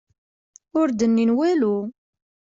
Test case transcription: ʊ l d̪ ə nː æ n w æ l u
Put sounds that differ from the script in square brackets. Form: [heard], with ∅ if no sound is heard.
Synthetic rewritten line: ʊ [ɾ] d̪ ə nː [i] n w æ l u